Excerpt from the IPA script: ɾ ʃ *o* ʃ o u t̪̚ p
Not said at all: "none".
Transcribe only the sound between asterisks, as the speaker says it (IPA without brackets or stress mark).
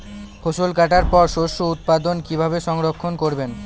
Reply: o